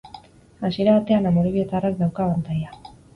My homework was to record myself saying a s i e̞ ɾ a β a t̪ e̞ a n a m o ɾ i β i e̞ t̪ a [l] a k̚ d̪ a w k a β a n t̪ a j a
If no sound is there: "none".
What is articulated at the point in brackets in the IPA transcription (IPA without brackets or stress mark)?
r